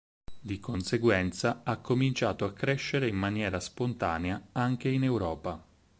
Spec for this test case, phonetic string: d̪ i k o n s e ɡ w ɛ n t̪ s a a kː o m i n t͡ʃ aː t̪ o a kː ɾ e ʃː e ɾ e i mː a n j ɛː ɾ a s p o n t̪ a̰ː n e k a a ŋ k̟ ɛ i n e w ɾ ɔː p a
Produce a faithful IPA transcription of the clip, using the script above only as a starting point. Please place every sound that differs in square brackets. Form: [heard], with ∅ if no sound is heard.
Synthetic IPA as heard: d̪ i k o n s e ɡ w ɛ n t̪ s a a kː o m i n t͡ʃ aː t̪ o a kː ɾ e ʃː e ɾ e i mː a n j ɛː ɾ a s p o n t̪ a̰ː n e [∅] a a ŋ k̟ [e] i n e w ɾ ɔː p a